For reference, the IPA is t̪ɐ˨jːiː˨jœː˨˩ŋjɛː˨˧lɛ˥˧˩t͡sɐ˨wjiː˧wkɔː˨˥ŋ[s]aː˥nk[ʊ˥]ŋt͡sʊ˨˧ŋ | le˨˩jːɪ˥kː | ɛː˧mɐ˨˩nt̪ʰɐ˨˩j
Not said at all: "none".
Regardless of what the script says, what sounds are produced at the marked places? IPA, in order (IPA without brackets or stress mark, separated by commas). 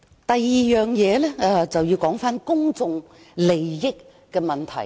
f, ʊ˥